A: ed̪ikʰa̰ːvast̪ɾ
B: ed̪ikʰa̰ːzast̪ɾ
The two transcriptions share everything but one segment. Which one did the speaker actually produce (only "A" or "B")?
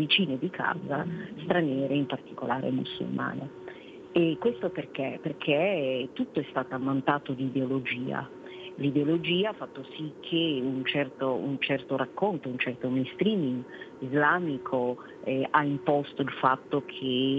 B